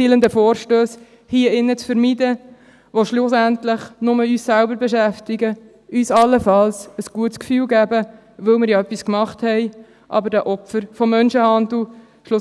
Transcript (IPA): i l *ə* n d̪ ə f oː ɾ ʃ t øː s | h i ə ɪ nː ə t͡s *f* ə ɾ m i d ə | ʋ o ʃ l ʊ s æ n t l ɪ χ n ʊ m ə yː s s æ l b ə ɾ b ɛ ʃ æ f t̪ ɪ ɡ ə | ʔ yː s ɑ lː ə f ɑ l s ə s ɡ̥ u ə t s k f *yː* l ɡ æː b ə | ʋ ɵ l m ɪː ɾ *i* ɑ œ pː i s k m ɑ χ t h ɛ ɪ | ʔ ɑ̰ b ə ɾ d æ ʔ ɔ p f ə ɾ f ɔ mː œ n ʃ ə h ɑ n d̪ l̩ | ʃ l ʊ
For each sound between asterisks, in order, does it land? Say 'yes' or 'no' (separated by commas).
yes, yes, yes, no